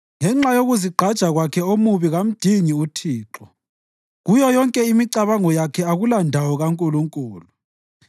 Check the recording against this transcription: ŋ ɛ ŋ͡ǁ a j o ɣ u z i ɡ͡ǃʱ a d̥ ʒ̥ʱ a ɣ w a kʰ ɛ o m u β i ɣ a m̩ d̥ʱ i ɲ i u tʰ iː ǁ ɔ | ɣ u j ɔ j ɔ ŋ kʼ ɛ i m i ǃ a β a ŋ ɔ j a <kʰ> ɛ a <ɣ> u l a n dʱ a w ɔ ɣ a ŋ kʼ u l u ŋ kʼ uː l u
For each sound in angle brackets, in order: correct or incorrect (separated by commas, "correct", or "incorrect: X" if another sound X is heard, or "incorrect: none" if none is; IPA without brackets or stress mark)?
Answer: correct, correct